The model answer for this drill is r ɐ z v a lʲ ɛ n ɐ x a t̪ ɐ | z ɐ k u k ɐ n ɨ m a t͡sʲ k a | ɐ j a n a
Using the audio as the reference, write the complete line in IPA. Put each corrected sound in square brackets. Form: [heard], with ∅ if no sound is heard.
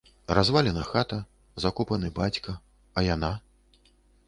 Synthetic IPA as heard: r [a] z v a lʲ ɛ n ɐ x a t̪ ɐ | z [a] k u [p] ɐ n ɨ [b] a t͡sʲ k [ɐ] | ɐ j a n a